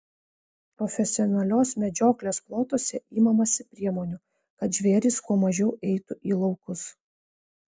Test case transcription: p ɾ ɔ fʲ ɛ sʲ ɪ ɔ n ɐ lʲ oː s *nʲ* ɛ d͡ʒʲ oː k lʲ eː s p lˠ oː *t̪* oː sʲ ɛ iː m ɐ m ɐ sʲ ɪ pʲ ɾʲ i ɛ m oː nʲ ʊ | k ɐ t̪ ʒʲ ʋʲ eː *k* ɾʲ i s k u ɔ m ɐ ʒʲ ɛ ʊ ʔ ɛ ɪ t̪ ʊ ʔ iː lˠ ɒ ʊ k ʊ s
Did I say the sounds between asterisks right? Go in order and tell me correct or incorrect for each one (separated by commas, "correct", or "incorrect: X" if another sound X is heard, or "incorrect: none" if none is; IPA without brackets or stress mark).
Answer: incorrect: mʲ, correct, incorrect: none